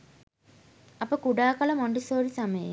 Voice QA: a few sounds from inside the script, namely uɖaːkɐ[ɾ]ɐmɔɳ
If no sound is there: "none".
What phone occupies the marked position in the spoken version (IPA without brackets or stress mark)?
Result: l